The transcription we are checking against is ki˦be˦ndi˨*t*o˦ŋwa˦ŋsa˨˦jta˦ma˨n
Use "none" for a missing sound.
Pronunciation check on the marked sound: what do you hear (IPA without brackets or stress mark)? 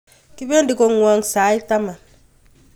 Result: k